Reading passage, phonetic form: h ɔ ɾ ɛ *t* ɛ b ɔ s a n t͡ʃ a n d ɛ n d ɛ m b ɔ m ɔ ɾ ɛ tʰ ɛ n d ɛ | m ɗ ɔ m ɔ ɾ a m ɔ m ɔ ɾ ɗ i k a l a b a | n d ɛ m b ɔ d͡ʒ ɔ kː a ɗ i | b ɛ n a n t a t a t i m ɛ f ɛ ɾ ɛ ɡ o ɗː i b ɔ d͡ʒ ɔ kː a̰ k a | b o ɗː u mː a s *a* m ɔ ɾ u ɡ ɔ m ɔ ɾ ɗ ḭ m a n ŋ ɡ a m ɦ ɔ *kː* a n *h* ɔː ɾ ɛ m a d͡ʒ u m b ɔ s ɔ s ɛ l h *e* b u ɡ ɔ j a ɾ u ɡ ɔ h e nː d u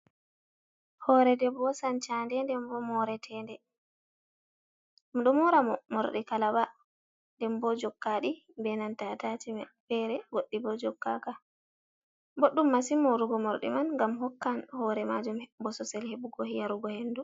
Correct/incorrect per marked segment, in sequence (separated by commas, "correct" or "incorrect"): incorrect, incorrect, correct, correct, correct